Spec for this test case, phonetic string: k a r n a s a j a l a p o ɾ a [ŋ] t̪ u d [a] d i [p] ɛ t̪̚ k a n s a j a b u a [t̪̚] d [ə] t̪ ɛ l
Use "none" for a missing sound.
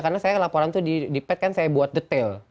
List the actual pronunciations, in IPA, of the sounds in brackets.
n, i, p, t̪̚, ə

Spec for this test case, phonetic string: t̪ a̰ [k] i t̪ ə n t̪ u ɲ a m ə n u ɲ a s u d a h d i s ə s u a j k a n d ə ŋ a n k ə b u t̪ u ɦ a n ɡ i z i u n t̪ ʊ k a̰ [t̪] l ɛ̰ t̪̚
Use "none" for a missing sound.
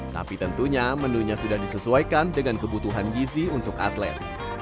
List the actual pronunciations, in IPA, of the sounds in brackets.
p, t̪

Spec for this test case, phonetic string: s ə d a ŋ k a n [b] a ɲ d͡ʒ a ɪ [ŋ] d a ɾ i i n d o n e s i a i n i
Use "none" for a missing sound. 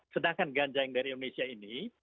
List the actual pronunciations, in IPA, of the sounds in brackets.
ɡ, ŋ

